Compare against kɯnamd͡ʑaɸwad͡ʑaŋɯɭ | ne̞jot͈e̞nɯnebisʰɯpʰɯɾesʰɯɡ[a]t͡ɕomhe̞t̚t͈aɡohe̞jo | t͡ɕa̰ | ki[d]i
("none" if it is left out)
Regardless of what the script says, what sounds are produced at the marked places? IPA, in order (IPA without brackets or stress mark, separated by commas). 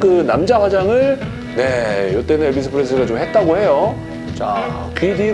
a, d